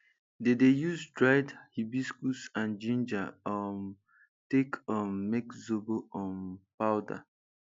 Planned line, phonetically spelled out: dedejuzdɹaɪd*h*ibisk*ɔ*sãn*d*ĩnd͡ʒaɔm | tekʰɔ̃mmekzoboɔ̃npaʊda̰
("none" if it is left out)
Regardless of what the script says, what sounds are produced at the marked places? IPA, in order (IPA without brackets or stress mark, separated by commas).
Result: h, u, d͡ʒ